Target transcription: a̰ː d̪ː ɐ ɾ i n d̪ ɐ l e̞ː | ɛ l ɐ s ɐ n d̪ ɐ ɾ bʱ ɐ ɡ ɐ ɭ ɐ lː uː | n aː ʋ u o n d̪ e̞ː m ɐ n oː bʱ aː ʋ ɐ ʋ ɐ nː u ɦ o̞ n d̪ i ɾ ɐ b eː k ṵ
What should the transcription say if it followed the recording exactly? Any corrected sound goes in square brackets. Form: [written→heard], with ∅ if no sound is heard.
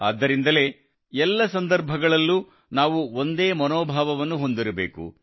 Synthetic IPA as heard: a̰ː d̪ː ɐ ɾ i n d̪ ɐ l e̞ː | ɛ [l→lː] ɐ s ɐ n d̪ ɐ ɾ bʱ ɐ ɡ ɐ ɭ ɐ lː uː | n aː ʋ u o n d̪ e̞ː m ɐ n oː bʱ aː ʋ ɐ ʋ ɐ nː u ɦ o̞ n d̪ i ɾ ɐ b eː k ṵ